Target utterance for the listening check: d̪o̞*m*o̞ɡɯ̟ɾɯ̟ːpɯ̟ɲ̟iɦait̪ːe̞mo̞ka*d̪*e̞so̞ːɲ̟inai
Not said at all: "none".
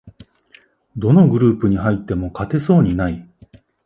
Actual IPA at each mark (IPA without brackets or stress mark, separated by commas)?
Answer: n, t̪